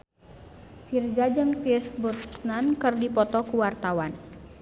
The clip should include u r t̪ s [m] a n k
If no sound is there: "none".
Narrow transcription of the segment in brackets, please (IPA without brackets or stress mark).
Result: n